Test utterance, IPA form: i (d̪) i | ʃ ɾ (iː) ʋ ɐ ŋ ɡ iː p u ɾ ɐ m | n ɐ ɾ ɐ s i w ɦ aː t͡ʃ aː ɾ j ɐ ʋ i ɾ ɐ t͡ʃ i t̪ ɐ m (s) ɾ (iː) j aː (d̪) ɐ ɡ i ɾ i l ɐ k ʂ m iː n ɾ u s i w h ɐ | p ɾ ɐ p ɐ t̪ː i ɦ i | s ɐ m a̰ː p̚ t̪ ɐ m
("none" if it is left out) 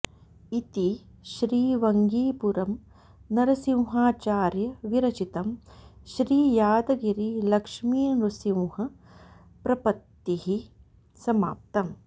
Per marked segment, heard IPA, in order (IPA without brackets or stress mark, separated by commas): t̪, iː, ʃ, iː, d̪